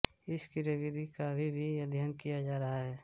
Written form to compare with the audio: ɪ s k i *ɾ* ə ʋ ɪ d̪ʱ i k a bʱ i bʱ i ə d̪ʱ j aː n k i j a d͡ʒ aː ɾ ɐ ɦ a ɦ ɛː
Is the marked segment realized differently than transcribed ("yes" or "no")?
no